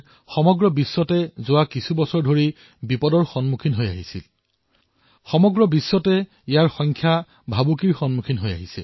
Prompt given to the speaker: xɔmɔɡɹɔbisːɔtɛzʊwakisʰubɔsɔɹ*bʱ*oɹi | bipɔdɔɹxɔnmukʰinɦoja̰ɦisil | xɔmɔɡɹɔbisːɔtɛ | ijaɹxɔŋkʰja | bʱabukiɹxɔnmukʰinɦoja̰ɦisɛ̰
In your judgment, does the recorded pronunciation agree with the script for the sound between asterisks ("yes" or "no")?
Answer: no